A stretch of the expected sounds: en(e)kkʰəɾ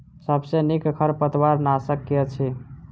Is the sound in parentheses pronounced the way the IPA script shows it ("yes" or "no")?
no